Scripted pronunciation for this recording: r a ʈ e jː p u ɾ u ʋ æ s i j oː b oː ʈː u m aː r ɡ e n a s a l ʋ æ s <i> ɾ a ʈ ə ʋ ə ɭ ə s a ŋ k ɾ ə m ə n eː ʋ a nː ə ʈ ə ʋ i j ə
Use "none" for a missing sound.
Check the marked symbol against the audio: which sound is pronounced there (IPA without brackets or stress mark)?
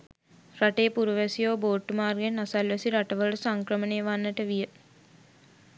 i